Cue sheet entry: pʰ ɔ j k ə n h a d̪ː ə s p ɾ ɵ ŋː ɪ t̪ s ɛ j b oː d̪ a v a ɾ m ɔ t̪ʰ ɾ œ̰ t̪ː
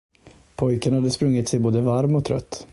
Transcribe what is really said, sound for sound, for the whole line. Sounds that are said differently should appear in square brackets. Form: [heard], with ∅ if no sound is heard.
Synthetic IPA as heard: pʰ ɔ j k ə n h a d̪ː ə s p ɾ ɵ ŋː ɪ t̪ s ɛ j b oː d̪ [ə] v a ɾ m ɔ t̪ʰ ɾ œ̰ t̪ː